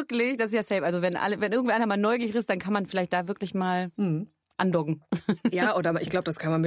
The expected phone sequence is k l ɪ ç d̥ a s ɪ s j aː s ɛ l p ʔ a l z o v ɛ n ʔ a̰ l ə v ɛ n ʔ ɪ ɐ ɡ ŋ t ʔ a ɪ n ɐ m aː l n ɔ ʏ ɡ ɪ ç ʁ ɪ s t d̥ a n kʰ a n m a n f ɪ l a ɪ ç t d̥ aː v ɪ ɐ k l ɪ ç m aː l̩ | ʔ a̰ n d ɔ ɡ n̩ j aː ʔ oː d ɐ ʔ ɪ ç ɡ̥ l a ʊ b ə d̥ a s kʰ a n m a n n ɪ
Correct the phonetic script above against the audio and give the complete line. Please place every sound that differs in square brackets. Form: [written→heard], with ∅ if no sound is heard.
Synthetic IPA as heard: k l ɪ ç d̥ a s ɪ s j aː s ɛ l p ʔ a l z o v ɛ n ʔ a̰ l ə v ɛ n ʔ ɪ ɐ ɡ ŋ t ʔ a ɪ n ɐ m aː l n ɔ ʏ ɡ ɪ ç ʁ ɪ s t d̥ a n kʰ a n m a n f ɪ l a ɪ ç t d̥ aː v ɪ ɐ k l ɪ ç m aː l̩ | ʔ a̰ n d ɔ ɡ [n̩→ŋ̩] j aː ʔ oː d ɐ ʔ ɪ ç ɡ̥ l a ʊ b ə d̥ a s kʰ a n m a n [n→m] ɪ